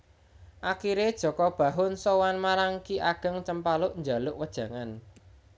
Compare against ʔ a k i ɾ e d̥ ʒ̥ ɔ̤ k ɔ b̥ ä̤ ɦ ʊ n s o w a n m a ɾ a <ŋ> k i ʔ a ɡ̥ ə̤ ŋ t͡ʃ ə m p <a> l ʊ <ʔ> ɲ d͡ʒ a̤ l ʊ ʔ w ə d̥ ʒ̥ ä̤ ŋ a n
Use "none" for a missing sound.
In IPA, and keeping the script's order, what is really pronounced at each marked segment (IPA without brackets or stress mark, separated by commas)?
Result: ŋ, a, ʔ